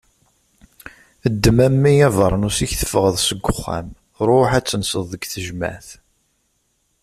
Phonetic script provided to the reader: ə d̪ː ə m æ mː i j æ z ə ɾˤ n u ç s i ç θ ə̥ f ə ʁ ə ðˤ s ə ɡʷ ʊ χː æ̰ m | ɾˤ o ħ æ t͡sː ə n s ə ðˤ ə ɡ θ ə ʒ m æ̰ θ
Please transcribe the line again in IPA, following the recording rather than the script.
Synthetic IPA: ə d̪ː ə m æ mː i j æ v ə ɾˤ n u s i ç θ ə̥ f ə ʁ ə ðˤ s ə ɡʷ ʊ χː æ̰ m | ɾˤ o ħ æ t͡sː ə n s ə ðˤ ə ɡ θ ə ʒ m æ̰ θ